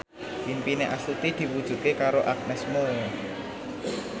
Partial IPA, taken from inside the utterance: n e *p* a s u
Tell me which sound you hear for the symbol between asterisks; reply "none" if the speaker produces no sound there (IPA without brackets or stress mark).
ʔ